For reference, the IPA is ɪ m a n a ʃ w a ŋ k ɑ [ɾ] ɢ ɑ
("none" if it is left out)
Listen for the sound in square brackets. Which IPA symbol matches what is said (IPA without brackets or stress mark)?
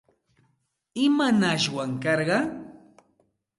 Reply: ɾ